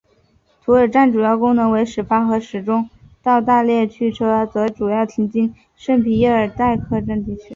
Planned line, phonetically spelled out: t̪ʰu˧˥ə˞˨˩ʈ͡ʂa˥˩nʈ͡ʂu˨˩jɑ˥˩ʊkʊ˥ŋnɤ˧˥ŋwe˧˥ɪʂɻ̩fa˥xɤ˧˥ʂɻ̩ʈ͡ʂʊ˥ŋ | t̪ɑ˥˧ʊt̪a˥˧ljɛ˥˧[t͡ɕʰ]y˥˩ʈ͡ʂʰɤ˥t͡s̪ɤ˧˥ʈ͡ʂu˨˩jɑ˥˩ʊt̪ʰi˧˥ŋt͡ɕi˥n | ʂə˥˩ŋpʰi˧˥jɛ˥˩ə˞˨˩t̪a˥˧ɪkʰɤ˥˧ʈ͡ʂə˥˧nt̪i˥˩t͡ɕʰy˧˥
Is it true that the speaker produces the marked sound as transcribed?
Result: yes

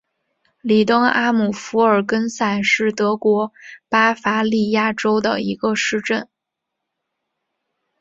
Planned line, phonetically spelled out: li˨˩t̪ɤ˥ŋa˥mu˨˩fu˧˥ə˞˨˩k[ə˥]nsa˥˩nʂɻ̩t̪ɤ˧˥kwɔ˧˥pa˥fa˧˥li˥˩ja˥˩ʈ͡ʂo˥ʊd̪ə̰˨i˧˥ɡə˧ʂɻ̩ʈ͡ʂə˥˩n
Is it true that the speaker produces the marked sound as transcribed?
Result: yes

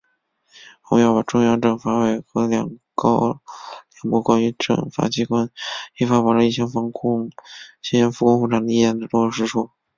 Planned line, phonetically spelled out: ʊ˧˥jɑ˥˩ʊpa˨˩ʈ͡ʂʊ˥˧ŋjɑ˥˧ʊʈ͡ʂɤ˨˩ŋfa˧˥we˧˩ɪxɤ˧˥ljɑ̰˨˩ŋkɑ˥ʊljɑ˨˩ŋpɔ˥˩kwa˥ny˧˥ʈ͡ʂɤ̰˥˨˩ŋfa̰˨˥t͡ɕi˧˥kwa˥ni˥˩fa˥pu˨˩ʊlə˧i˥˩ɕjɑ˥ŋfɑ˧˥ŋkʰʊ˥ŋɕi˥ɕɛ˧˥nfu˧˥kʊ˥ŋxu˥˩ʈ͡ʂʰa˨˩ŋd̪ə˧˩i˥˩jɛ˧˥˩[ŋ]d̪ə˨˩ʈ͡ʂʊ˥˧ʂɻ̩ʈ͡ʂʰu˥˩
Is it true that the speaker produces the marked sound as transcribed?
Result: no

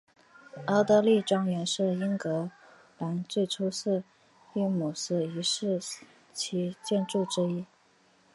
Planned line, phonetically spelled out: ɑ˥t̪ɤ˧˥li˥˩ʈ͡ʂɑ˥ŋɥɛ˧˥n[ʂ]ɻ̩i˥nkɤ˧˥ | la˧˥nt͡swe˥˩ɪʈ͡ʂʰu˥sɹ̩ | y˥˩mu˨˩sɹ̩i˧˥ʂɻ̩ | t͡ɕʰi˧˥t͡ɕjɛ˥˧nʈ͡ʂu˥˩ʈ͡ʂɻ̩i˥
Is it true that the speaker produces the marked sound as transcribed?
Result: yes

